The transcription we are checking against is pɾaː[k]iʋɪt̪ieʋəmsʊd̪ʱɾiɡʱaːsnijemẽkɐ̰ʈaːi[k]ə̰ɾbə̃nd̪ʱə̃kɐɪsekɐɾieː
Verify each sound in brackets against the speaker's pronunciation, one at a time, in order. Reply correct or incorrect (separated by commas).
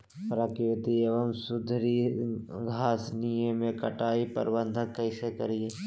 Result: correct, incorrect